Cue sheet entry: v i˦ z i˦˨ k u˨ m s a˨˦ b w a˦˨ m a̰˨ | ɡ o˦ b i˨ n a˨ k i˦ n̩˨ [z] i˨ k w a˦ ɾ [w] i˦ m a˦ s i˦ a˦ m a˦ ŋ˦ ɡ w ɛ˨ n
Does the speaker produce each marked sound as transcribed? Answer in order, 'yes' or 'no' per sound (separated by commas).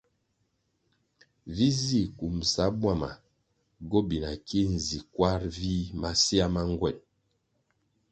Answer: yes, no